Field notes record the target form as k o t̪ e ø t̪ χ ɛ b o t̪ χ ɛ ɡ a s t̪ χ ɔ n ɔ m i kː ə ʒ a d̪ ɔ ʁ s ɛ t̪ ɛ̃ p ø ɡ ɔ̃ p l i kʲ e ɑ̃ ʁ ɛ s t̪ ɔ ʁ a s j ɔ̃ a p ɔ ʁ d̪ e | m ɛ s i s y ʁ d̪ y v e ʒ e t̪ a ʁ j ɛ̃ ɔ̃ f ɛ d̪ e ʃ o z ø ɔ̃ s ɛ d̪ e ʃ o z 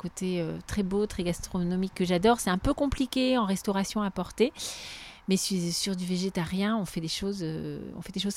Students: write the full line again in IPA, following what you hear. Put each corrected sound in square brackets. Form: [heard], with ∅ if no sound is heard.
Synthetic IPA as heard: k o t̪ e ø t̪ χ ɛ b o t̪ χ ɛ ɡ a s t̪ χ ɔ n ɔ m i kː ə ʒ a d̪ ɔ ʁ s ɛ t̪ ɛ̃ p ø [k] ɔ̃ p l i kʲ e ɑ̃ ʁ ɛ s t̪ ɔ ʁ a s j ɔ̃ a p ɔ ʁ [t̪] e | m ɛ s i s y ʁ d̪ y v e ʒ e t̪ a ʁ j ɛ̃ ɔ̃ f ɛ d̪ e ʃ o z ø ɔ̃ [f] ɛ d̪ e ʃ o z